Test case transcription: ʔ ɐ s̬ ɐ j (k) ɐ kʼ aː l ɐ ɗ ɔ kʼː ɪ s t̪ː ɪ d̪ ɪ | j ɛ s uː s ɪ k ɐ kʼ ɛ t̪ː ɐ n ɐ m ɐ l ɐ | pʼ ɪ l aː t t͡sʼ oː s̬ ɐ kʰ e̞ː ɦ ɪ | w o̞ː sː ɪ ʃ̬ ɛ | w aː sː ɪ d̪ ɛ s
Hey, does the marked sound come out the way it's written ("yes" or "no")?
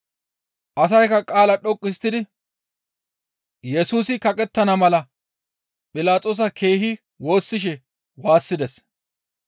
yes